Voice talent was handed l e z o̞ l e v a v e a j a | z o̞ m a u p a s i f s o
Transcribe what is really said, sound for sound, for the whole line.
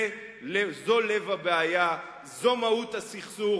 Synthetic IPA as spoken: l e z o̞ l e v a b e a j a | z o̞ m a u t a s i χ s u